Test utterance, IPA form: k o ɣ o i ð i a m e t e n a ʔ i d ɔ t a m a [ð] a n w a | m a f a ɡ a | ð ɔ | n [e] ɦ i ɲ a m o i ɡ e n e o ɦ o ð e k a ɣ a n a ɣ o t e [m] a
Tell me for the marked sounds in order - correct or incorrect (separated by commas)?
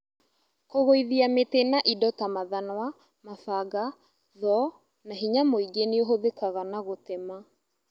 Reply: correct, incorrect, correct